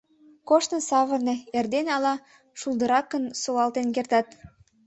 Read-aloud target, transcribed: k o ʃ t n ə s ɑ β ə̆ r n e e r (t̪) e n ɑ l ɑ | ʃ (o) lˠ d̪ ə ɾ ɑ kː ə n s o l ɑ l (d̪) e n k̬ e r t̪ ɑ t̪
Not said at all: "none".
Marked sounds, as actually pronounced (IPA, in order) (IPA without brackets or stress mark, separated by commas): d̪, u, t̪